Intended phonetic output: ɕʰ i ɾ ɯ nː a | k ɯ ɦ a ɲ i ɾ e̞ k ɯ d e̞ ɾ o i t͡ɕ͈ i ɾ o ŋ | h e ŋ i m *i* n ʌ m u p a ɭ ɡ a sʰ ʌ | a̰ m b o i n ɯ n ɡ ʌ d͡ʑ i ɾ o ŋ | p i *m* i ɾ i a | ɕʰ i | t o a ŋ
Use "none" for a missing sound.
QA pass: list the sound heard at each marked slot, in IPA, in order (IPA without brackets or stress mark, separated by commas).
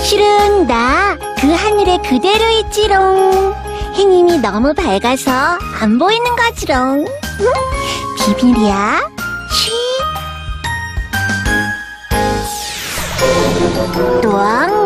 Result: i, b